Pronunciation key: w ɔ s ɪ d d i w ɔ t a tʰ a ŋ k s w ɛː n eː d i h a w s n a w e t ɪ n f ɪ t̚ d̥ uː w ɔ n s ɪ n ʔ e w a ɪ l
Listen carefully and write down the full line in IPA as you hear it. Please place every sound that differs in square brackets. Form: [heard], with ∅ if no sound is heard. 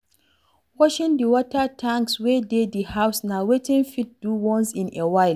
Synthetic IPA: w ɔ [ʃ] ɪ [n] d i w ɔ t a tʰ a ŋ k s w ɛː [d] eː d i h a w s n a w e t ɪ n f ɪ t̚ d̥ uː w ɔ n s ɪ n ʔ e w a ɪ l